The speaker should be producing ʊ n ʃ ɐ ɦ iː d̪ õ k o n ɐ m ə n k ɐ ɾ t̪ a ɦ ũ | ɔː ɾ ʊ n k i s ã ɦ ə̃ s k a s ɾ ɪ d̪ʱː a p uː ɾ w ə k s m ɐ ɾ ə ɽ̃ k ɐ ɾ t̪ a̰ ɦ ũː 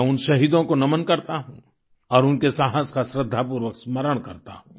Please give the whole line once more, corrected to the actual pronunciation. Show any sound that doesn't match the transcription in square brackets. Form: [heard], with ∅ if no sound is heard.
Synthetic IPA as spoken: ʊ n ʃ ɐ ɦ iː d̪ õ k o n ɐ m ə n k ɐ ɾ t̪ a ɦ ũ | ɔː ɾ ʊ n k [e] s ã ɦ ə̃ s k a s ɾ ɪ d̪ʱː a p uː ɾ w ə k s m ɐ ɾ ə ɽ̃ k ɐ ɾ t̪ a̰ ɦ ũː

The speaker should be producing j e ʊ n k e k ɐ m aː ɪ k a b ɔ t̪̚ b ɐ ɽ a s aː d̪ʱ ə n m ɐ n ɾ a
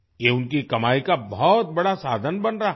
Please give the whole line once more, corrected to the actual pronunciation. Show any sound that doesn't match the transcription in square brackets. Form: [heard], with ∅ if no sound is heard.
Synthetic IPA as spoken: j e ʊ n k [i] k ɐ m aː [i] k a b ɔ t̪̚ b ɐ ɽ a s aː d̪ʱ ə n [b] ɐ n ɾ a

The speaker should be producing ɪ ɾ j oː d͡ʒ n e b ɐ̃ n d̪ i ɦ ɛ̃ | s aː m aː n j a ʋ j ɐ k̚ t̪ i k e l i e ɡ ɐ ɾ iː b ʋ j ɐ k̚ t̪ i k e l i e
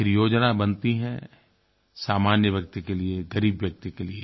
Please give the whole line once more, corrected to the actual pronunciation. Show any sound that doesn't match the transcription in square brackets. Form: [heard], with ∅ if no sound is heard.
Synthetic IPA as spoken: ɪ ɾ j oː d͡ʒ n [a] b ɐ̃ n [t̪] i ɦ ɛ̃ | s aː m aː n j [ə] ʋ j ɐ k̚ t̪ i k e l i e ɡ ɐ ɾ iː b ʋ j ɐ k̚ t̪ i k e l i e

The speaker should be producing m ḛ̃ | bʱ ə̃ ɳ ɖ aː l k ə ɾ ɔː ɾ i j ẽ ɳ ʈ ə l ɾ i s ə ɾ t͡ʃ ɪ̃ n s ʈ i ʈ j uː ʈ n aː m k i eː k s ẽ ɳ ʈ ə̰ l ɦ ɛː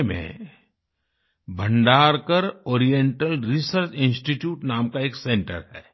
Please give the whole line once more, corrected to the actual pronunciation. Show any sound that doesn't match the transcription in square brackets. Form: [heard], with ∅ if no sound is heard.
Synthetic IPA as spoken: m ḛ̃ | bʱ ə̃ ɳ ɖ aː [ɾ] k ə ɾ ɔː ɾ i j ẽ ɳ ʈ ə l ɾ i s ə ɾ t͡ʃ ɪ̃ n s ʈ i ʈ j uː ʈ n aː m k [a] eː k s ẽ ɳ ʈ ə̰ [ɾ] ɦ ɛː

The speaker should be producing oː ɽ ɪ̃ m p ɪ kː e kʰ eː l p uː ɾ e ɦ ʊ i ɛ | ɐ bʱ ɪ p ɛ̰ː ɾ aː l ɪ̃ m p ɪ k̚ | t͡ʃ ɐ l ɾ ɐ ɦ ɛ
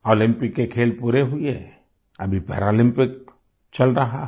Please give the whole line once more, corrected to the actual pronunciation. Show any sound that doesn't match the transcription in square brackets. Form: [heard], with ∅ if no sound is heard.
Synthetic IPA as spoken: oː [l] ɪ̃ m p ɪ kː e kʰ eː l p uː ɾ e ɦ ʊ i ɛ | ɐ bʱ [i] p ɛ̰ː ɾ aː l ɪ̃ m p ɪ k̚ | t͡ʃ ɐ l ɾ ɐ ɦ [a]

